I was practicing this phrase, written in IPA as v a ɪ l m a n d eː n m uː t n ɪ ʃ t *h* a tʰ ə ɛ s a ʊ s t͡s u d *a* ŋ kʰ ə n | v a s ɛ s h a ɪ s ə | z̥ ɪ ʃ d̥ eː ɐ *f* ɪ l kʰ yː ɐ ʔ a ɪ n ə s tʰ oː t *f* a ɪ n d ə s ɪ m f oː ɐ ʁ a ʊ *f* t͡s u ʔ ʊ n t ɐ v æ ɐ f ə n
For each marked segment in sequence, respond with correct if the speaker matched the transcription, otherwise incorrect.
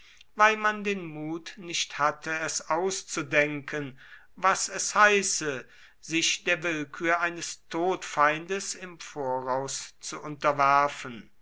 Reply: correct, incorrect: ɛ, incorrect: v, correct, incorrect: s

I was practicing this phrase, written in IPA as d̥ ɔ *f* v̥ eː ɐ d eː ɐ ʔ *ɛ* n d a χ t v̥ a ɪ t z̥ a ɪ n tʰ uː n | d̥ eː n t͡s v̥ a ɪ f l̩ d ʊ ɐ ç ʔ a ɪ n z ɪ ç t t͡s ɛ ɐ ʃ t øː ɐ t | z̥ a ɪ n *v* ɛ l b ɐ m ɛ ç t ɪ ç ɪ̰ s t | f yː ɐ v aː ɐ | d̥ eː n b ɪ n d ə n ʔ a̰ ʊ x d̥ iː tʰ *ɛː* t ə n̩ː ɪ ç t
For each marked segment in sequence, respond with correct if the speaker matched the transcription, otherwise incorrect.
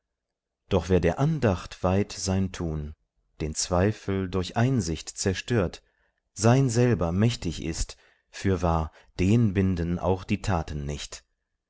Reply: incorrect: χ, incorrect: a, incorrect: z, incorrect: aː

